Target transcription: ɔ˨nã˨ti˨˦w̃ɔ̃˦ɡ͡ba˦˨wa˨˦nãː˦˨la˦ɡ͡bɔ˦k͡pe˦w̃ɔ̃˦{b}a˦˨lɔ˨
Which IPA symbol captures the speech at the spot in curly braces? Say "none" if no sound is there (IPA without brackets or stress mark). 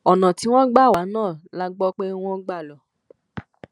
ɡ͡b